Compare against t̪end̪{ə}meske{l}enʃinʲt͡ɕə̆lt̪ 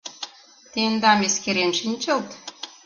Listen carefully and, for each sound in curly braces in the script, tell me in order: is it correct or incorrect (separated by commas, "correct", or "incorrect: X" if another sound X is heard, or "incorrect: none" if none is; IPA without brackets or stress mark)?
incorrect: ɑ, incorrect: ɾ